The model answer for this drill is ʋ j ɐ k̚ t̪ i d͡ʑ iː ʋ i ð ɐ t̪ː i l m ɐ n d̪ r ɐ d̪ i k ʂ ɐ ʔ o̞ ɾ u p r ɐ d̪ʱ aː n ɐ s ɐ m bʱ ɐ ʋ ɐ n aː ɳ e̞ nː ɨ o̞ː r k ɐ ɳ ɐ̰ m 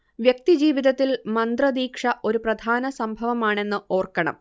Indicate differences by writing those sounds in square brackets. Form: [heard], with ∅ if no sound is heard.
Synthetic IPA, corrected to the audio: ʋ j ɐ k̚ t̪ i d͡ʑ iː ʋ i ð ɐ t̪ː i l m ɐ n d̪ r ɐ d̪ [iː] k ʂ ɐ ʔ o̞ ɾ u p r ɐ d̪ʱ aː n ɐ s ɐ m bʱ ɐ ʋ ɐ [m] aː ɳ e̞ nː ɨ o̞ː r k ɐ ɳ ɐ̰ m

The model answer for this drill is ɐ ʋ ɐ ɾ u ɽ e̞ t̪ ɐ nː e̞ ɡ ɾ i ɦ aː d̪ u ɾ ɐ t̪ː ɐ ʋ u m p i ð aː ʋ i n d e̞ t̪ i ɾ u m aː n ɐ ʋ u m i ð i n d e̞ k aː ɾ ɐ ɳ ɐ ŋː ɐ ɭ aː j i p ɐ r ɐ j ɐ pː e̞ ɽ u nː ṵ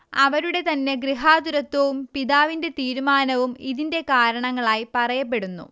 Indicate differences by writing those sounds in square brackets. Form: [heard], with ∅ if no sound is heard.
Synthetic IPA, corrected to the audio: ɐ ʋ ɐ ɾ u ɽ e̞ t̪ ɐ nː e̞ ɡ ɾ i ɦ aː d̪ u ɾ ɐ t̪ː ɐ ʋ u m p i ð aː ʋ i n d e̞ t̪ [iː] ɾ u m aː n ɐ ʋ u m i ð i n d e̞ k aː ɾ ɐ ɳ ɐ ŋː ɐ ɭ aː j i p ɐ r ɐ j ɐ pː e̞ ɽ u nː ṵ

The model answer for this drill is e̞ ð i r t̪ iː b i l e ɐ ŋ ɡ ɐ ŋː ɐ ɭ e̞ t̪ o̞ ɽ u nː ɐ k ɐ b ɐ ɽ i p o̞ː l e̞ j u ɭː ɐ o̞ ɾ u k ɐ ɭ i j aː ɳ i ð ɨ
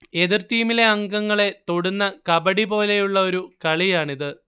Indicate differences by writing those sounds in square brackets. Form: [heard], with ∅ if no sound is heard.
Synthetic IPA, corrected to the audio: e̞ ð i r t̪ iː [m] i l e ɐ ŋ ɡ ɐ ŋː ɐ ɭ e̞ t̪ o̞ ɽ u nː ɐ k ɐ b ɐ ɽ i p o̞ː l e̞ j u ɭː ɐ o̞ ɾ u k ɐ ɭ i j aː ɳ i ð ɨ

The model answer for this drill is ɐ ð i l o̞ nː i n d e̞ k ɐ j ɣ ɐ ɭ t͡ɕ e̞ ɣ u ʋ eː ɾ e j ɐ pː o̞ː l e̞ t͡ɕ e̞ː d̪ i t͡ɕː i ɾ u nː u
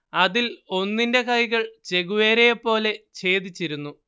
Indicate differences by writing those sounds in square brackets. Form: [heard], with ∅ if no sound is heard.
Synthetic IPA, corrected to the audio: ɐ ð i l o̞ nː i n d e̞ k ɐ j ɣ ɐ ɭ t͡ɕ e̞ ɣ u ʋ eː ɾ e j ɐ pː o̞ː l e̞ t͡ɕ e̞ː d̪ i t͡ɕː i ɾ u nː u

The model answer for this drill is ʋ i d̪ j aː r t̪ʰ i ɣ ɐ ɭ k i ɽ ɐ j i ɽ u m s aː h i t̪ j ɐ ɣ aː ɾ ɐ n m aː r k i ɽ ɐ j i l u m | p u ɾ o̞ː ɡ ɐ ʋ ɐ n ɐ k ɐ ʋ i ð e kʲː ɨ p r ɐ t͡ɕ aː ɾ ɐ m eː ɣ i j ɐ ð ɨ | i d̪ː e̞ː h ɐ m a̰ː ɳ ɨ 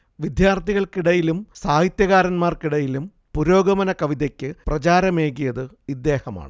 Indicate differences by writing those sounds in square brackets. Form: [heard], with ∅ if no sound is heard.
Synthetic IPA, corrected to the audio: ʋ i d̪ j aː r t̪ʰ i ɣ ɐ ɭ k i ɽ ɐ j i [l] u m s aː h i t̪ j ɐ ɣ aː ɾ ɐ n m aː r k i ɽ ɐ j i l u m | p u ɾ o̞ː ɡ ɐ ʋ ɐ n ɐ k ɐ ʋ i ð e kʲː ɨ p r ɐ t͡ɕ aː ɾ ɐ m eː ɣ i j ɐ ð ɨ | i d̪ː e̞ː h ɐ m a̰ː ɳ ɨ

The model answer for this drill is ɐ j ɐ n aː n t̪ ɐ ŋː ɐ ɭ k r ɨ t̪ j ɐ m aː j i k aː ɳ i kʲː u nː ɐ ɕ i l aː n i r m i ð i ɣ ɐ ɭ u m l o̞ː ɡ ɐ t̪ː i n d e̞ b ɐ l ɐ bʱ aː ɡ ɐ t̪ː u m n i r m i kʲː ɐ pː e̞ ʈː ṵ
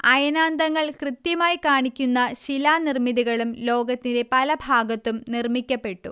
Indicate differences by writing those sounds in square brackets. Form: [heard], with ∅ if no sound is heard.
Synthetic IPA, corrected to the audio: ɐ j ɐ n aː n [d̪] ɐ ŋː ɐ ɭ k r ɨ t̪ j ɐ m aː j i k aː ɳ i kʲː u nː ɐ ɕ i l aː n i r m i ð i ɣ ɐ ɭ u m l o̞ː ɡ ɐ t̪ː i n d e̞ [p] ɐ l ɐ bʱ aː ɡ ɐ t̪ː u m n i r m i kʲː ɐ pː e̞ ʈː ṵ

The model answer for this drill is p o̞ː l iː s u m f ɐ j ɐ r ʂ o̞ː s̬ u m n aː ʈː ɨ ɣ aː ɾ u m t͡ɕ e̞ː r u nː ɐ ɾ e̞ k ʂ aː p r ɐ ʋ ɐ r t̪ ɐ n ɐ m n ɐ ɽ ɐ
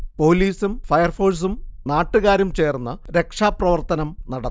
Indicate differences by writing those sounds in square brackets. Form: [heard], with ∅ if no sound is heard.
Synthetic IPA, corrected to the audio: p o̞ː l iː s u m f ɐ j ɐ r [f] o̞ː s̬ u m n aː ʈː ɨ ɣ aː ɾ u m t͡ɕ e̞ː r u nː ɐ ɾ e̞ k ʂ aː p r ɐ ʋ ɐ r t̪ ɐ n ɐ m n ɐ ɽ ɐ

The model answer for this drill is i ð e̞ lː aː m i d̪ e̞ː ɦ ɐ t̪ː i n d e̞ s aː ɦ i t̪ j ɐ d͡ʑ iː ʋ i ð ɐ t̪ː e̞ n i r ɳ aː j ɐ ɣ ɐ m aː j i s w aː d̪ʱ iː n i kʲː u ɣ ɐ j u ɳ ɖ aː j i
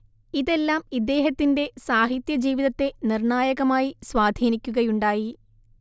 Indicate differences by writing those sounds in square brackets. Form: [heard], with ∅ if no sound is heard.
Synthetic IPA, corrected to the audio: i ð e̞ lː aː m i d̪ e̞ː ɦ ɐ t̪ː i n d e̞ s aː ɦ i t̪ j ɐ d͡ʑ iː ʋ i ð ɐ t̪ː e̞ n i r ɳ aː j ɐ ɣ ɐ m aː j i s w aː d̪ʱ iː n i kʲː u ɣ ɐ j u ɳ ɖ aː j i

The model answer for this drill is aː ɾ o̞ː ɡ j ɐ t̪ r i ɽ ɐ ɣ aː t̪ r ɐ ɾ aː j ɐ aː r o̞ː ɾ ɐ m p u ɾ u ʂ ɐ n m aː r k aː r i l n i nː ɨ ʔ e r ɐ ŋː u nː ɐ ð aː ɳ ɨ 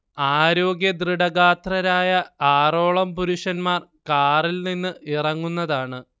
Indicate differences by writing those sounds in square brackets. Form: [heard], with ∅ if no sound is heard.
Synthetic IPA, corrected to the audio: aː ɾ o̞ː ɡ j ɐ [d̪] r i ɽ ɐ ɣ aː t̪ r ɐ ɾ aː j ɐ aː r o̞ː [ɭ] ɐ m p u ɾ u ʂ ɐ n m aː r k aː r i l n i nː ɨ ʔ [i] r ɐ ŋː u nː ɐ ð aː ɳ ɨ

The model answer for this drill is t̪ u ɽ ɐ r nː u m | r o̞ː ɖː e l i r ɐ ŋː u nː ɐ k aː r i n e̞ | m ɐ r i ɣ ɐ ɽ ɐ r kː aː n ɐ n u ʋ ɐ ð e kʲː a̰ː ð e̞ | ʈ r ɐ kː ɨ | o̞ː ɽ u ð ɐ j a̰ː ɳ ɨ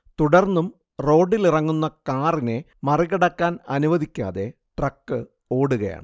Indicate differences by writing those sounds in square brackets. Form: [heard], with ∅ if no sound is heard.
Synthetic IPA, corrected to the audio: t̪ u ɽ ɐ r nː u m | r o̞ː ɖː [i] l i r ɐ ŋː u nː ɐ k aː r i n e̞ | m ɐ r i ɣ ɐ ɽ ɐ [∅] kː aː n ɐ n u ʋ ɐ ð [i] kʲː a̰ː ð e̞ | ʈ r ɐ kː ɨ | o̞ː ɽ u [ɣ] ɐ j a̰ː ɳ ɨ

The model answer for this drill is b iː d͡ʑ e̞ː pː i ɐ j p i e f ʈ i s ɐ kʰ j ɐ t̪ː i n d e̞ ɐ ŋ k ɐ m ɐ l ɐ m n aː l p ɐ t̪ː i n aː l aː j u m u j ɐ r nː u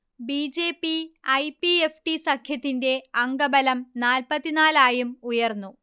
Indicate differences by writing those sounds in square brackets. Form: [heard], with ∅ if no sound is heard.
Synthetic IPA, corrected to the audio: b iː d͡ʑ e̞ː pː i ɐ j p i e f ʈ i s ɐ kʰ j ɐ t̪ː i n d e̞ ɐ ŋ [ɡ] ɐ [b] ɐ l ɐ m n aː l p ɐ t̪ː i n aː l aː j u m u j ɐ r nː u

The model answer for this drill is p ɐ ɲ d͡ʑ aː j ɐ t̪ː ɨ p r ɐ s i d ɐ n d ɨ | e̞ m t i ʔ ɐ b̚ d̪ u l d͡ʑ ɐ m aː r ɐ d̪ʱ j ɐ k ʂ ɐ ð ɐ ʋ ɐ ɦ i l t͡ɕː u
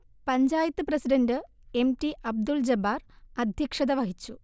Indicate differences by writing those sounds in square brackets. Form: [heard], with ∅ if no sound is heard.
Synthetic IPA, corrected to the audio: p ɐ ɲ d͡ʑ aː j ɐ t̪ː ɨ p r ɐ s i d ɐ n d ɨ | e̞ m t i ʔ ɐ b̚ d̪ u l d͡ʑ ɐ [b] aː r ɐ d̪ʱ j ɐ k ʂ ɐ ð ɐ ʋ ɐ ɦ i [∅] t͡ɕː u

